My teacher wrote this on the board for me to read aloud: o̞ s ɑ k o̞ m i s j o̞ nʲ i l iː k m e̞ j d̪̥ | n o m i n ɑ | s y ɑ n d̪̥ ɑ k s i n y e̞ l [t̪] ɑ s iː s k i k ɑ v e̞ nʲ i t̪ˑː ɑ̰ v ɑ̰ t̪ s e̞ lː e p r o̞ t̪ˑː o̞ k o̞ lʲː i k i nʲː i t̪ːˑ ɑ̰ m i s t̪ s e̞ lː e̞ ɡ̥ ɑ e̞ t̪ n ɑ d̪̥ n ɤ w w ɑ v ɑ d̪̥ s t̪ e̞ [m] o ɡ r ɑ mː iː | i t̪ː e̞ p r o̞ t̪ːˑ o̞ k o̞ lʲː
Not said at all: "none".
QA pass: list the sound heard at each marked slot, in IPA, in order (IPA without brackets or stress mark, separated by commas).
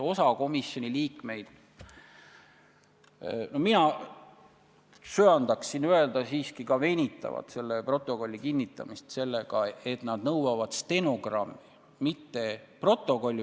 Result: d̪, n